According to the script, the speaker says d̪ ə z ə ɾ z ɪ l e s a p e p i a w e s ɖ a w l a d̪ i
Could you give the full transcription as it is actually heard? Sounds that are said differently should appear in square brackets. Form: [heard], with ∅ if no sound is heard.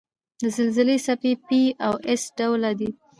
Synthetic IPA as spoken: d̪ ə z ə [l] z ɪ l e s a p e p i a w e s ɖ a w l a d̪ i